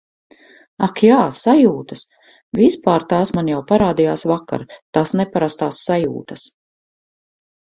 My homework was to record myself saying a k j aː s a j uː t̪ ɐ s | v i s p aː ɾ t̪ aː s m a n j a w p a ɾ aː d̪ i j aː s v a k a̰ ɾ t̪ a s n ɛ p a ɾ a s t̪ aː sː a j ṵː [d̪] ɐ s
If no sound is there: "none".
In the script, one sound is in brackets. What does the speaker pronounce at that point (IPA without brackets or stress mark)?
t̪